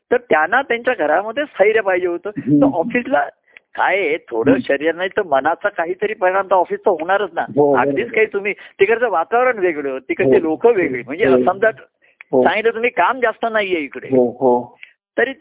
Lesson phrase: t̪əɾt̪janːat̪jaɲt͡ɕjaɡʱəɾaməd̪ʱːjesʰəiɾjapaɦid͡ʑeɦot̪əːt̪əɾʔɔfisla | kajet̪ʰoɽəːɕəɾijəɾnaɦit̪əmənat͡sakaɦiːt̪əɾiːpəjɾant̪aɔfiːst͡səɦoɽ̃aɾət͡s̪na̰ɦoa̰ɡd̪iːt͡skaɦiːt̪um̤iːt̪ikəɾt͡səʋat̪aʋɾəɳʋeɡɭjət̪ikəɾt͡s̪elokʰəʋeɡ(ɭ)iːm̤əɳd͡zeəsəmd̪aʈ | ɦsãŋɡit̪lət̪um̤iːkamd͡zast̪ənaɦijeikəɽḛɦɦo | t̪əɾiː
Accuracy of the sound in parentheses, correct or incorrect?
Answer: correct